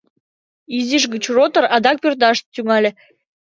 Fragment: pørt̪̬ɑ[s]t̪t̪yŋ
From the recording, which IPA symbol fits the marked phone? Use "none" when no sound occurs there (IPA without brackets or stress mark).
ʃ